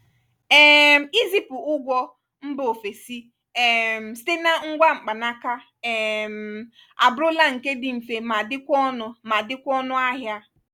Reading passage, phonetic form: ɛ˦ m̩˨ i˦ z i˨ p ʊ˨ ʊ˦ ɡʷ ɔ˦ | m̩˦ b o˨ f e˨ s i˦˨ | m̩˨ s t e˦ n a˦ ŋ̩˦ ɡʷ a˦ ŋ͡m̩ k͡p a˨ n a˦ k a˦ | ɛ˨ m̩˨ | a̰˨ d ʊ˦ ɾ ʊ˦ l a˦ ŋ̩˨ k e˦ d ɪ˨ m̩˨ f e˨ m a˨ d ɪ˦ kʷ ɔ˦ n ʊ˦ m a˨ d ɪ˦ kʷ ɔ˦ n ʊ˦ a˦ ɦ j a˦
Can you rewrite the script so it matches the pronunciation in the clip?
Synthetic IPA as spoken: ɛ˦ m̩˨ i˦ z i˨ p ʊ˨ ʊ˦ ɡʷ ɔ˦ | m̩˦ b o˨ f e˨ s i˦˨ | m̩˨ s t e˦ n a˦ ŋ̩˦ ɡʷ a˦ ŋ͡m̩ k͡p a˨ n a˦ k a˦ | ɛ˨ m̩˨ | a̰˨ b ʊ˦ ɾ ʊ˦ l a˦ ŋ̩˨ k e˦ d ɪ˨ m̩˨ f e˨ m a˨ d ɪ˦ kʷ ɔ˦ n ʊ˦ m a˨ d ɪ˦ kʷ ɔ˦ n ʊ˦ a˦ ɦ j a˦